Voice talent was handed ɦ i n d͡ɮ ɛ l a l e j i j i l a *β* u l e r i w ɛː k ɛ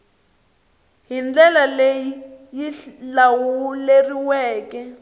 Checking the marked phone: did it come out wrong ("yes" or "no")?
yes